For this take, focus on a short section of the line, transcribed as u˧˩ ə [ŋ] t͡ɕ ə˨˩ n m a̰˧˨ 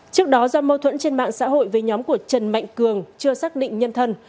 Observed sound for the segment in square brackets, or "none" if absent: none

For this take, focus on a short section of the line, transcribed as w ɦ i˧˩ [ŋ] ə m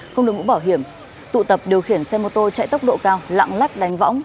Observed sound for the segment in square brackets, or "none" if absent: none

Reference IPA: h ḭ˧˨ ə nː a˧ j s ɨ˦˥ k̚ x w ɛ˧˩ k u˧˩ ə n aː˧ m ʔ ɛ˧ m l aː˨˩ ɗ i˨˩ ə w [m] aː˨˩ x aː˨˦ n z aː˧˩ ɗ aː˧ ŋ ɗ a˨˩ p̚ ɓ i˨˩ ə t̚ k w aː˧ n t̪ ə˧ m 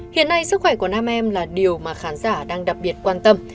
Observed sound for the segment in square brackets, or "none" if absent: m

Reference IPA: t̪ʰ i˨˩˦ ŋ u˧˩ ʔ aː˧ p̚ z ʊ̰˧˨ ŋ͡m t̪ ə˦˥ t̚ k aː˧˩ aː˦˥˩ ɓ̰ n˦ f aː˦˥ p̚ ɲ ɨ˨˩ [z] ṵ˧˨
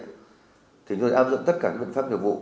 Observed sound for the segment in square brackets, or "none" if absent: v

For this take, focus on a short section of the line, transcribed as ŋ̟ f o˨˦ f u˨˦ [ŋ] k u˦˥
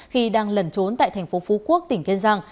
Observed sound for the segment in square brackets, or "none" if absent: none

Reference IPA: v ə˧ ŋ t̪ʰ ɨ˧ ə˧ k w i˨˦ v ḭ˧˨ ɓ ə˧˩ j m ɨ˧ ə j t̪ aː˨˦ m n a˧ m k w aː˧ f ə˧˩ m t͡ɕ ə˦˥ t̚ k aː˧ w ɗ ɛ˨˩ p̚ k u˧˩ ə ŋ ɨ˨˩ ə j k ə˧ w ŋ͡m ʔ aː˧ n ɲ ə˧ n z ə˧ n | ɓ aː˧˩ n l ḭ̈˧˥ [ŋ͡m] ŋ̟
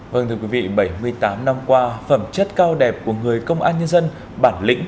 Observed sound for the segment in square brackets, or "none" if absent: none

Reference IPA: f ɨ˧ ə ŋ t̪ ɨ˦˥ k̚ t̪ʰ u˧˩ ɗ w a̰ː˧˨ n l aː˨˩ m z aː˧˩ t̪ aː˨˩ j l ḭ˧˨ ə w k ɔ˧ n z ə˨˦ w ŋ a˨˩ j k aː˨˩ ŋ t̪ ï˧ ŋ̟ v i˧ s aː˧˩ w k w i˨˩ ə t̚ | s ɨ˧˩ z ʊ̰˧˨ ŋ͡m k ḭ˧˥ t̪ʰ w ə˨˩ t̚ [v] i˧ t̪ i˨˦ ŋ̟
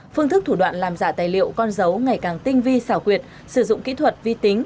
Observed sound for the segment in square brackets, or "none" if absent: v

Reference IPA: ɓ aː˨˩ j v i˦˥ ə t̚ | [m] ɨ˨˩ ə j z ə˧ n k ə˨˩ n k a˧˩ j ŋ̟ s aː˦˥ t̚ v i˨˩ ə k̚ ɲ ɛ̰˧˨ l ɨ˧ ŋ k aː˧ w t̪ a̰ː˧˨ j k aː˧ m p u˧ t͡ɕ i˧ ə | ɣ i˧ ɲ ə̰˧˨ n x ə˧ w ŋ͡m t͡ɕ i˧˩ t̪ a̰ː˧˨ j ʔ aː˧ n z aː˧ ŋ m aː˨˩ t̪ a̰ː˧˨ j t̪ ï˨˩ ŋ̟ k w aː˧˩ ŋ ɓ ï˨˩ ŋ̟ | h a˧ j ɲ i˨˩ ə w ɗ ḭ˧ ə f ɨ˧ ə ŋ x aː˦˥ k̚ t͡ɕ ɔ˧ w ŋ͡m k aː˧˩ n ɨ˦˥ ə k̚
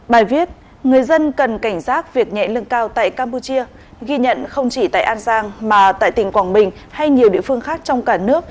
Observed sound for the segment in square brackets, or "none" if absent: ŋ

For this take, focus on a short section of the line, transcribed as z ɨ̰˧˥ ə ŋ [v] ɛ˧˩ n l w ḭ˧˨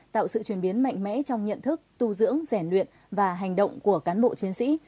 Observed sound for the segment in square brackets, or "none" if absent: z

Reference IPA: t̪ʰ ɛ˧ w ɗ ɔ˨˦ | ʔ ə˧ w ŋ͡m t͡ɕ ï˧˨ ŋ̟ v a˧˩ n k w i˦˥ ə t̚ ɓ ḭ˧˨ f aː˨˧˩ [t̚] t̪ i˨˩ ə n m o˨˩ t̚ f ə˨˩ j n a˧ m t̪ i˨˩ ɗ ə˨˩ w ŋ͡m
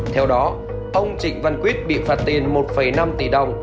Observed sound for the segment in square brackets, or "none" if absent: t̚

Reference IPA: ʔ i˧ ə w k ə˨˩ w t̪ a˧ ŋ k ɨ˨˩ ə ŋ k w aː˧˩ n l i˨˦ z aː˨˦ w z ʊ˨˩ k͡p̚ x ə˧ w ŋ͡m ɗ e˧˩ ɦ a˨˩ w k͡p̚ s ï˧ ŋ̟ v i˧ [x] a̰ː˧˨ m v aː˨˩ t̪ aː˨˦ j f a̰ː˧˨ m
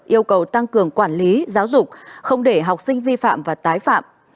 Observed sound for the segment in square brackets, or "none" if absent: f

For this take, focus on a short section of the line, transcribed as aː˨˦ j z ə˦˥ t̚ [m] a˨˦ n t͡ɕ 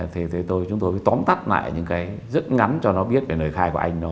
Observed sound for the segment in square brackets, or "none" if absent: ŋ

